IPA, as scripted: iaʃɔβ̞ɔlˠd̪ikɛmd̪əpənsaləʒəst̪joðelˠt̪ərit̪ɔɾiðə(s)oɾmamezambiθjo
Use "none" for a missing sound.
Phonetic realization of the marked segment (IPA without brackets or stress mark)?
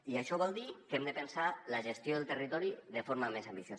f